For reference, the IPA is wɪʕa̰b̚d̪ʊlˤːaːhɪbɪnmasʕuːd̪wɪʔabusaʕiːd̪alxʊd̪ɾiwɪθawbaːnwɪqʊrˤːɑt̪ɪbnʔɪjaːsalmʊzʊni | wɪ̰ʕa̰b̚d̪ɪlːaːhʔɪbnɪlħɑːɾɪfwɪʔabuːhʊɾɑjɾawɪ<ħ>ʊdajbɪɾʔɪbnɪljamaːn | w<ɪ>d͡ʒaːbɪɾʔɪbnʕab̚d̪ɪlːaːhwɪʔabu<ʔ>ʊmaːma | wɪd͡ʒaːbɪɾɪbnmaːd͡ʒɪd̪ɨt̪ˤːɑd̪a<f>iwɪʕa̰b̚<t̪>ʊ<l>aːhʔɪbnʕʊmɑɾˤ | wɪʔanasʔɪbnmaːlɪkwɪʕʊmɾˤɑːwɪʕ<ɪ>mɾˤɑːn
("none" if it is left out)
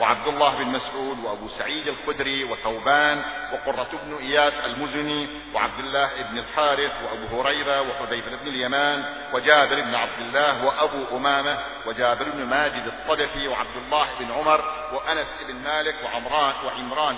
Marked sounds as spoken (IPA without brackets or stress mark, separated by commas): ħ, ɪ, ʔ, f, d̪, lː, ɪ